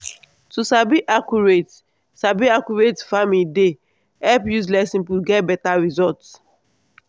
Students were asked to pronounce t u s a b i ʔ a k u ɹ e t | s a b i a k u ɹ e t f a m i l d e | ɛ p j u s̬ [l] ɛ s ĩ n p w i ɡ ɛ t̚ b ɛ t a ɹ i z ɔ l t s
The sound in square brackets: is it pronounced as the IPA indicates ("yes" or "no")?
yes